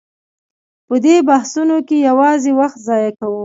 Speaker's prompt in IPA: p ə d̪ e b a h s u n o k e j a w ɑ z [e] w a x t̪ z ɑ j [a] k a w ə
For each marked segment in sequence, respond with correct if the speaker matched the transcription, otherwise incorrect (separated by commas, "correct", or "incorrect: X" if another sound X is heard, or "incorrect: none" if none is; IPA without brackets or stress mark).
correct, correct